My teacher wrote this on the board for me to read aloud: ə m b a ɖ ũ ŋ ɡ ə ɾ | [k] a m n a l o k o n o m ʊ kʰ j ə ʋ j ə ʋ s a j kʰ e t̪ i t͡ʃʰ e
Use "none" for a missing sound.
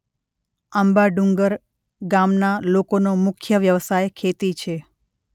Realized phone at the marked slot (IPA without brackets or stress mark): ɡ